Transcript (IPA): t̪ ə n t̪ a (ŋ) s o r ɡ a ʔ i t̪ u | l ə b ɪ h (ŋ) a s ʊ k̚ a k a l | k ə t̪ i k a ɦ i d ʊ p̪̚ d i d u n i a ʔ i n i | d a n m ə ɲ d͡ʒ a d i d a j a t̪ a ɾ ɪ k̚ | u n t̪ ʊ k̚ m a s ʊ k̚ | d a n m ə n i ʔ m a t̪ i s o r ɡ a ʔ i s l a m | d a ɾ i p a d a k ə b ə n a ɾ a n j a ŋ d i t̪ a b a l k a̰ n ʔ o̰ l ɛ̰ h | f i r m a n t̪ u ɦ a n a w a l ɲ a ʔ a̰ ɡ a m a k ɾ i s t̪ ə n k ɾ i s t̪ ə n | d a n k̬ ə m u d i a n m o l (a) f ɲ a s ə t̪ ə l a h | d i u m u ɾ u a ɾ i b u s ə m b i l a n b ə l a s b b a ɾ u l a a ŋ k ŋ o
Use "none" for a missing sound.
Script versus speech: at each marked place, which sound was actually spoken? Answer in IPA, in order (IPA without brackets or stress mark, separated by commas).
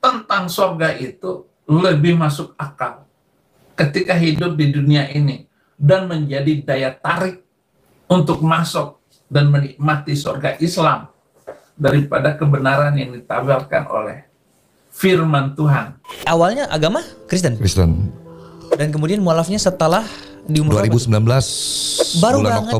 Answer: ŋ, m, a